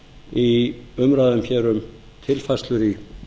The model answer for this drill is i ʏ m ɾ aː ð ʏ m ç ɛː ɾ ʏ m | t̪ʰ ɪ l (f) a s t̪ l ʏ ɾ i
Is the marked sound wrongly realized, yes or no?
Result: no